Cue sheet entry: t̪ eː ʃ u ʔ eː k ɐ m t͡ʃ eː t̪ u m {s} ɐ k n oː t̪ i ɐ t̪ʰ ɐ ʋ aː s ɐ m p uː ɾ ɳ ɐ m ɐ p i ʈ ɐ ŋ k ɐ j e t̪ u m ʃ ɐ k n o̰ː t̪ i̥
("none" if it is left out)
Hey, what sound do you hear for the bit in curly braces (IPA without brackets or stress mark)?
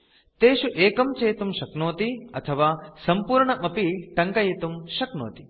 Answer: ʃ